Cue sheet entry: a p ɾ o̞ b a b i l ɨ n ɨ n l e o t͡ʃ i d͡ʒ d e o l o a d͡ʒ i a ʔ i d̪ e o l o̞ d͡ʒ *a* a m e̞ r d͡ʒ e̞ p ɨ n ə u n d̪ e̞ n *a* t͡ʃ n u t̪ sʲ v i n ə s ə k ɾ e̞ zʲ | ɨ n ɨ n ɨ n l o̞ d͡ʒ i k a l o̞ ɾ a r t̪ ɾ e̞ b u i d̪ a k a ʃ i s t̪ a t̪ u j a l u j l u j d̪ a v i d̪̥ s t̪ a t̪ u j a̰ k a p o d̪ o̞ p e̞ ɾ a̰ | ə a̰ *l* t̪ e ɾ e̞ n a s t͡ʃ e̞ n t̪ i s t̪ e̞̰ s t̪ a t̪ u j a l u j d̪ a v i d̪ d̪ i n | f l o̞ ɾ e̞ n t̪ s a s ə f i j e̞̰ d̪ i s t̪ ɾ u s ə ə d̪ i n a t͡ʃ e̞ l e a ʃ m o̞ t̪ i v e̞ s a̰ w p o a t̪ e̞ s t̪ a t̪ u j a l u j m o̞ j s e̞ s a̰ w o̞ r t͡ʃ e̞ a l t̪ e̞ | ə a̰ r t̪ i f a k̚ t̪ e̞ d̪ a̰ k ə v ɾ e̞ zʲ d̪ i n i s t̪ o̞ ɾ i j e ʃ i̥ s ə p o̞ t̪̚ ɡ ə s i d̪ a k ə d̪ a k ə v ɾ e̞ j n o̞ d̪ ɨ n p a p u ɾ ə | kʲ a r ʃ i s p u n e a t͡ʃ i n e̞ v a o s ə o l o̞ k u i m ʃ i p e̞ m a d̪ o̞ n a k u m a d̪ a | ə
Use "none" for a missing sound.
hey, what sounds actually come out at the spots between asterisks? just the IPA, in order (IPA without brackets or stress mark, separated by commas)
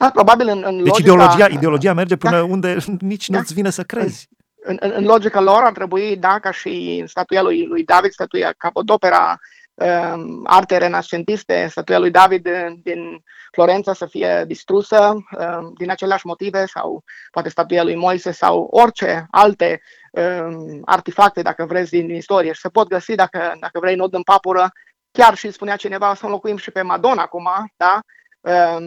i, i, r